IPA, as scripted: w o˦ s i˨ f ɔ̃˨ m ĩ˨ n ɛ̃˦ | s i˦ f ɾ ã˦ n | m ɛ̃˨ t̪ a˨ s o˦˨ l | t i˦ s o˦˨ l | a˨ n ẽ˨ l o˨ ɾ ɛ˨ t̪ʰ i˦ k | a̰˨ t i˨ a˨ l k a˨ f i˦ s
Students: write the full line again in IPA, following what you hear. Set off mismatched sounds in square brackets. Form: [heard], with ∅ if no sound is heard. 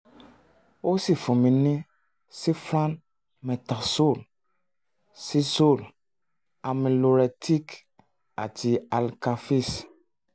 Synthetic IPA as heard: w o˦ s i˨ f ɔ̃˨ m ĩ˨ n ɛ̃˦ | s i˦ f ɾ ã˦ n | m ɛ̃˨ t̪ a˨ s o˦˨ l | [s] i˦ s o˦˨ l | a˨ [m] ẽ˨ l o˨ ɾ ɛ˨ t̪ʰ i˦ k | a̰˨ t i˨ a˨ l k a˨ f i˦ s